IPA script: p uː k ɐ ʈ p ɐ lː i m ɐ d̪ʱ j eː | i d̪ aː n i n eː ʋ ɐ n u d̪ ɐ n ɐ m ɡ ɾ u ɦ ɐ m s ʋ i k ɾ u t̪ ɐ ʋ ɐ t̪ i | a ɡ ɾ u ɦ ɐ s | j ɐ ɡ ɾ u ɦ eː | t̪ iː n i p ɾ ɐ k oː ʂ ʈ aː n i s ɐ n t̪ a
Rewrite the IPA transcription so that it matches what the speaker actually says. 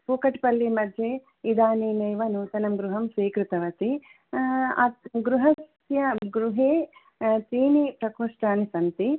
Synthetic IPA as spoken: p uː k ɐ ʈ p ɐ lː i m ɐ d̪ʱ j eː | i d̪ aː n i n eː ʋ ɐ n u t̪ ɐ n ɐ m ɡ ɾ u ɦ ɐ m s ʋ iː k ɾ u t̪ ɐ ʋ ɐ t̪ i | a ɡ ɾ u ɦ ɐ s | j ɐ ɡ ɾ u ɦ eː | t̪ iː n i p ɾ ɐ k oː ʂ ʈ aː n i s ɐ n t̪ i